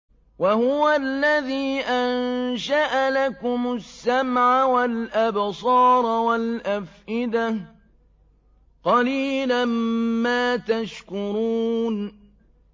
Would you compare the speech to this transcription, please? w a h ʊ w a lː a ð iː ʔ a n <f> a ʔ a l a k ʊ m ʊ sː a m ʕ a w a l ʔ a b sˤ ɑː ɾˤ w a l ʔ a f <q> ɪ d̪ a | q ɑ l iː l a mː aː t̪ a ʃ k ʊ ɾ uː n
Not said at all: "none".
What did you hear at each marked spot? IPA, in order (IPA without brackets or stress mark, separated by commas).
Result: ʃ, ʔ